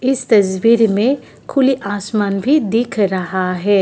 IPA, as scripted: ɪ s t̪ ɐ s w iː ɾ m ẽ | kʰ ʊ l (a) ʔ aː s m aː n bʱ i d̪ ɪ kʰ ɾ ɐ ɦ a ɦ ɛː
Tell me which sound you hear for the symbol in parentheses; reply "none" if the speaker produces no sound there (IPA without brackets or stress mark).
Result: i